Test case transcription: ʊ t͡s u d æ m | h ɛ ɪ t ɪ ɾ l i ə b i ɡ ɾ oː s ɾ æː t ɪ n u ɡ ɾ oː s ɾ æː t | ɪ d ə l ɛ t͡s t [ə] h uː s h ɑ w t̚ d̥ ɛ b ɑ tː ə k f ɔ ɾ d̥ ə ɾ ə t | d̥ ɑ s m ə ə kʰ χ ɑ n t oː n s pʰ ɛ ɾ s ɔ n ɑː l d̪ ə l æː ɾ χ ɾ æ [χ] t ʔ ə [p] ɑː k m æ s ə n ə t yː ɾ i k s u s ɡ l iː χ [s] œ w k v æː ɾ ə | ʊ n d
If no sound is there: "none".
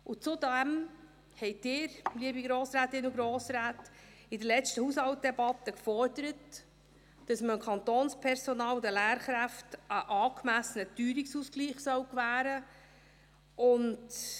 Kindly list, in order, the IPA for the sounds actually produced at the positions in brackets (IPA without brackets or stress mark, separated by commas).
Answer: ə, f, ʔ, s